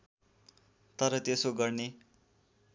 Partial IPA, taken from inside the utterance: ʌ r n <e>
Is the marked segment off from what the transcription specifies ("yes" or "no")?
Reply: no